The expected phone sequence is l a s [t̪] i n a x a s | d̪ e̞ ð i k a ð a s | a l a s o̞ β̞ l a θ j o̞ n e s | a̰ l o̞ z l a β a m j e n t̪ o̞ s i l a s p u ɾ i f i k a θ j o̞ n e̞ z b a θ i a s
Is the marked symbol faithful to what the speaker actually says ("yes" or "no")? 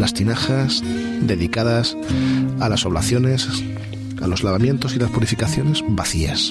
yes